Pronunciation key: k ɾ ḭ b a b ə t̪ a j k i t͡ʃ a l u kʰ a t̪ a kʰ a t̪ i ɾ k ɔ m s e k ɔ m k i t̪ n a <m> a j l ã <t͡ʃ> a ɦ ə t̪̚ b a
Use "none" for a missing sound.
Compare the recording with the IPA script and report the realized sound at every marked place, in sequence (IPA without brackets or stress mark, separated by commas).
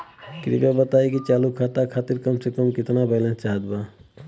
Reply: b, t͡ʃ